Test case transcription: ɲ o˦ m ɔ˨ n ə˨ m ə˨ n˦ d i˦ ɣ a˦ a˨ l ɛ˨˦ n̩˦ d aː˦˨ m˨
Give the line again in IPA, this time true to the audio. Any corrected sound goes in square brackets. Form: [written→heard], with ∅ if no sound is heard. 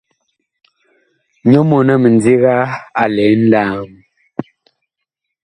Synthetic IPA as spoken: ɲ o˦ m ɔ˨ n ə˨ m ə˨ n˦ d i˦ ɣ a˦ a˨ l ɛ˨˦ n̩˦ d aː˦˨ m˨